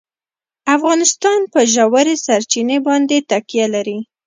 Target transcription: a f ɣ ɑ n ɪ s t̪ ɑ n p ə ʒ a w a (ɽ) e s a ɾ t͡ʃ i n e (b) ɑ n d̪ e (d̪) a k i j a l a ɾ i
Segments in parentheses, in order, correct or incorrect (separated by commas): incorrect, correct, incorrect